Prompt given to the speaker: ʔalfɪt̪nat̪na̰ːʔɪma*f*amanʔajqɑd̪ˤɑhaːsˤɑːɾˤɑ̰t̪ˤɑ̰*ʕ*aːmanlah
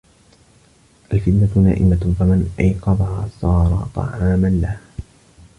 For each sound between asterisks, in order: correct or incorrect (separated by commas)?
correct, correct